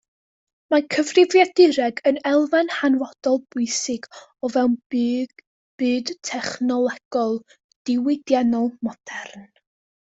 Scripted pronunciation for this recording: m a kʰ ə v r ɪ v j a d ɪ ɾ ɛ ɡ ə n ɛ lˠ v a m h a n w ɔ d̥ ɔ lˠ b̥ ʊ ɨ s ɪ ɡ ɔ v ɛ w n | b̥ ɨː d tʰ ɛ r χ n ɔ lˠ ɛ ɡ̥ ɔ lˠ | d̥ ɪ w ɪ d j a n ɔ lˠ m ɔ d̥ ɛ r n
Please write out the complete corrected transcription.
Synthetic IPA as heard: m a kʰ ə v r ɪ v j a d ɪ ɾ ɛ ɡ ə n ɛ lˠ v a n h a n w ɔ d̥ ɔ lˠ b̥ ʊ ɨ s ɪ ɡ ɔ v ɛ w n | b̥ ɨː d tʰ ɛ χ n ɔ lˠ ɛ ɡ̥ ɔ lˠ | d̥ ɪ w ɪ d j a n ɔ lˠ m ɔ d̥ ɛ r n

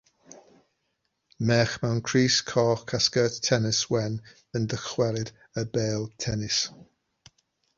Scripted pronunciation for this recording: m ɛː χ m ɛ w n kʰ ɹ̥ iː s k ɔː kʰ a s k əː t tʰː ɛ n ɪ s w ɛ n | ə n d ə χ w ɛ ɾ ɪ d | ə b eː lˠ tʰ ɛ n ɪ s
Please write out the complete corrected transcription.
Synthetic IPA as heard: m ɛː χ m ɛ w n kʰ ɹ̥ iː s kʰ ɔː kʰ a s k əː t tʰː ɛ n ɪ s w ɛ n | ə n d ə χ w ɛ ɾ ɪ d | ə b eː lˠ tʰ ɛ n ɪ s

